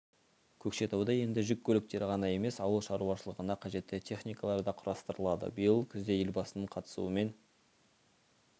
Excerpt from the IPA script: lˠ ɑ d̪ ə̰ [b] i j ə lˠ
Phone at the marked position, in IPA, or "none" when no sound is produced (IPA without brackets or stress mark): b